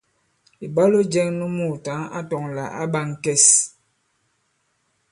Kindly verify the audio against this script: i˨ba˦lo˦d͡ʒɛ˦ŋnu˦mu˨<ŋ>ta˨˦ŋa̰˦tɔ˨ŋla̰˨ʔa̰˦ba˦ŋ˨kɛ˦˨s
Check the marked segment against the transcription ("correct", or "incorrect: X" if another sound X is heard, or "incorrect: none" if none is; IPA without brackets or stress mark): incorrect: none